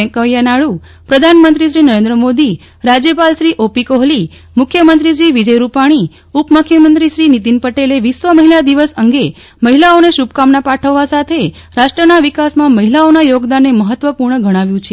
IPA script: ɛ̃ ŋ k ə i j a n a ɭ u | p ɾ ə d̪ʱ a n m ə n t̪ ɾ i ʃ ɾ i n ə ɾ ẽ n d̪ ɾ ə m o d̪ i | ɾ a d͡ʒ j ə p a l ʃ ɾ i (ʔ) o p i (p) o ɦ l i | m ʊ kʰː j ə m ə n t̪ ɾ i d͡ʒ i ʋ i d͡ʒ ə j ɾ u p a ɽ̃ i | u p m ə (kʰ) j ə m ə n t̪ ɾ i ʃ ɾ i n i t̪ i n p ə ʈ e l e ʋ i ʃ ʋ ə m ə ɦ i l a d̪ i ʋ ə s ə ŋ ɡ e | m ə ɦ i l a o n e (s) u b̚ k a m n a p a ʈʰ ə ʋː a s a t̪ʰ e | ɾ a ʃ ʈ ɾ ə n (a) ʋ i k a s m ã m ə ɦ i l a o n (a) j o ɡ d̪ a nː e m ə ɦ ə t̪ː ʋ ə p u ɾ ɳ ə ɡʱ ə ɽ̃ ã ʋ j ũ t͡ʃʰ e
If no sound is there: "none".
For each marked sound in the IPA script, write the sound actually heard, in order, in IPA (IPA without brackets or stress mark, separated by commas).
ʔ, k, kʰ, ʃ, a, a